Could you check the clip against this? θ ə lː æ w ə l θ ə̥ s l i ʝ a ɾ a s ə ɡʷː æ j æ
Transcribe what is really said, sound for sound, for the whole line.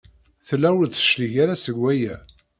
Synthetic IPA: θ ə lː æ w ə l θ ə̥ ʃ l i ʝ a ɾ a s ə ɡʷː æ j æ